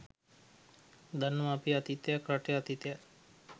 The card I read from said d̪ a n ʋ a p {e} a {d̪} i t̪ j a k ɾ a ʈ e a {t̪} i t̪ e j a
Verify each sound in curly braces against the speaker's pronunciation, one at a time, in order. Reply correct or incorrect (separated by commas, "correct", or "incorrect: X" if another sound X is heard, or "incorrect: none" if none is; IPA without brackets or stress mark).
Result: incorrect: i, incorrect: t̪, correct